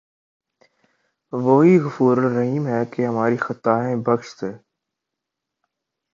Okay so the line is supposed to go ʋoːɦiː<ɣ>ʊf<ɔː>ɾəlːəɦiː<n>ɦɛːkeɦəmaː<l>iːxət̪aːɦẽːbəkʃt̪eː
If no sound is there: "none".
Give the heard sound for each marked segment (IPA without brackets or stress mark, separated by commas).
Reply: ɣ, uː, m, ɾ